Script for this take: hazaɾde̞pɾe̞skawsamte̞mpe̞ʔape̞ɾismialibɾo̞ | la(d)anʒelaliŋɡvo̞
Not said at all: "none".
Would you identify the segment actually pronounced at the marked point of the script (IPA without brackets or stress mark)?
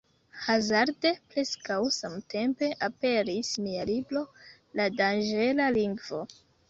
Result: d